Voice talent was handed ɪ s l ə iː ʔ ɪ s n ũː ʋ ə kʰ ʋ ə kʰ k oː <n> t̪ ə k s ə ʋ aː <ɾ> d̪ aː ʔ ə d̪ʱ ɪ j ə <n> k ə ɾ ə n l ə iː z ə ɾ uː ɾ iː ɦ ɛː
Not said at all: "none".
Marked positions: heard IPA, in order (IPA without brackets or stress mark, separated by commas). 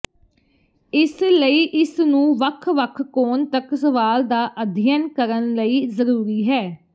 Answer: n, l, n